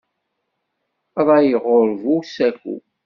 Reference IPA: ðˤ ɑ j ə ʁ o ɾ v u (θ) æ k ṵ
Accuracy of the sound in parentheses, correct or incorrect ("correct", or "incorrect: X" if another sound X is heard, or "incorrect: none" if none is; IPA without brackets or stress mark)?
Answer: incorrect: s